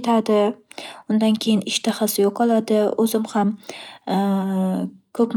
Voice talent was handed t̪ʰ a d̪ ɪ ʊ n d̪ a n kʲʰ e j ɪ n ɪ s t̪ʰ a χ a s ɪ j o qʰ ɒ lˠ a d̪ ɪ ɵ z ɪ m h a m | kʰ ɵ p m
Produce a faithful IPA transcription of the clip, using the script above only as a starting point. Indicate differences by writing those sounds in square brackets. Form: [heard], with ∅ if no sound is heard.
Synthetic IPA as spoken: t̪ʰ a d̪ ɪ ʊ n d̪ a n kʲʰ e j ɪ n ɪ [ʃ] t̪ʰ a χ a s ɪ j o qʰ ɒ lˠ a d̪ ɪ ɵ z ɪ m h a m | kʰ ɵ p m